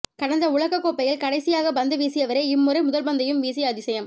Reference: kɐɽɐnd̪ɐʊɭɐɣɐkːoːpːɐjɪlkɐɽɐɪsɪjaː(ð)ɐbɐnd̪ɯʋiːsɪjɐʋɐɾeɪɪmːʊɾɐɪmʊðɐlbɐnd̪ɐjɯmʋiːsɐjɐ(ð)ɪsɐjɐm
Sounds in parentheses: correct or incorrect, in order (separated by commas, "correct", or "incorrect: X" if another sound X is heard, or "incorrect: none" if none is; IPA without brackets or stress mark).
incorrect: ɣ, correct